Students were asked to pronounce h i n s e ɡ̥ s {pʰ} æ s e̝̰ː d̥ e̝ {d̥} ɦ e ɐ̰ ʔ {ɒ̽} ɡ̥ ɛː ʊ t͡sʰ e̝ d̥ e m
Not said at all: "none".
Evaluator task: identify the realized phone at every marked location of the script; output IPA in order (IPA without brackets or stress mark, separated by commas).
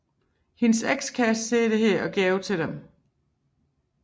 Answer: kʰ, none, ɒ̽